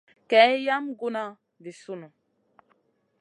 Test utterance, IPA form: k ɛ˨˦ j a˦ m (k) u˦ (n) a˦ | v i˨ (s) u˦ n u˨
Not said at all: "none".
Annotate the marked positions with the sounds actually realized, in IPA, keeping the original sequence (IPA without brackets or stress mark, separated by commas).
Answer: ɡ, n, s